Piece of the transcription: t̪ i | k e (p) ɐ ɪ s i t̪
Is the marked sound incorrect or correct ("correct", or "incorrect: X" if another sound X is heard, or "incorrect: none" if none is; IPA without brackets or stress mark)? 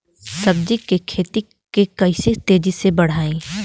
incorrect: k